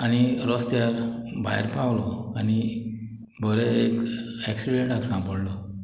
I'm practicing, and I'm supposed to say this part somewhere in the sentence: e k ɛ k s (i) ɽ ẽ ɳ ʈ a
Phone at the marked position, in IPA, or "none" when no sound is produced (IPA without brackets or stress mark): i